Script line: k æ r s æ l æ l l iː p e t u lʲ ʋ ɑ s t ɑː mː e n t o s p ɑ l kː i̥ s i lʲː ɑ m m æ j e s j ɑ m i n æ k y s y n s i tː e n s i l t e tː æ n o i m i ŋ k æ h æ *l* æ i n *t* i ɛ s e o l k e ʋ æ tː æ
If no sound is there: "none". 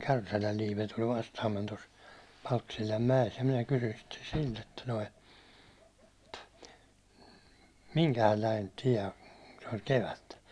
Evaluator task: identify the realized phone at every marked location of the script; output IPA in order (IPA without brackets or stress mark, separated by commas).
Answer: lː, t